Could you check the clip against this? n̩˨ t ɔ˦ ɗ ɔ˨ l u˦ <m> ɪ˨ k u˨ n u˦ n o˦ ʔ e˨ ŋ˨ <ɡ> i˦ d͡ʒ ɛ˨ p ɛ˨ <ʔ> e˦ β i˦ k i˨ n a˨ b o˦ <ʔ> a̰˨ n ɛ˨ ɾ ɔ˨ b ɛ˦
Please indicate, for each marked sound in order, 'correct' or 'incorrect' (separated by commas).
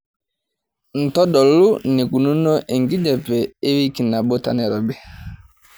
incorrect, correct, incorrect, incorrect